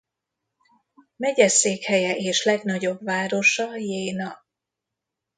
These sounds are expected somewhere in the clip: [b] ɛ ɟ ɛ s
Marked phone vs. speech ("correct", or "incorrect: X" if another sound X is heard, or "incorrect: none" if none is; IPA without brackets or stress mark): incorrect: m